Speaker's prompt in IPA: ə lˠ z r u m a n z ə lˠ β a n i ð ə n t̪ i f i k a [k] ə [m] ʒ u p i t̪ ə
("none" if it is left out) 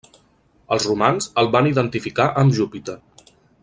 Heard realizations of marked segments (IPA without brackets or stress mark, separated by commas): ʔ, m